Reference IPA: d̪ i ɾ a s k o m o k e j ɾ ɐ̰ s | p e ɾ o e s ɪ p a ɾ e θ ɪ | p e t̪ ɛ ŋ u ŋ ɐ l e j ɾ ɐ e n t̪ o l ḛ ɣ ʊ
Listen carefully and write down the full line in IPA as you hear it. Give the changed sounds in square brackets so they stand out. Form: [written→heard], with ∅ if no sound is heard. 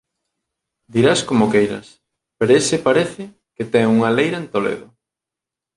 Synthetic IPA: d̪ i ɾ a s k o m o k e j ɾ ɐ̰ s | p e ɾ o e s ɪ p a ɾ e θ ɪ | [p→k] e t̪ ɛ ŋ u ŋ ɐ l e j ɾ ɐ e n t̪ o l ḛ [ɣ→ð] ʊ